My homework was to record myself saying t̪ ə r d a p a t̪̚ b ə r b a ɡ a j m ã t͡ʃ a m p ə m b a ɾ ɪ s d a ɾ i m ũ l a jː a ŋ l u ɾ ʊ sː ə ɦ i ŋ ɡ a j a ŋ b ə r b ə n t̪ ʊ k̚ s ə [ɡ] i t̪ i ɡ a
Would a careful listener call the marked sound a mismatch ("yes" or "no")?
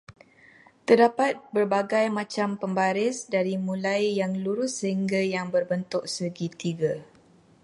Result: no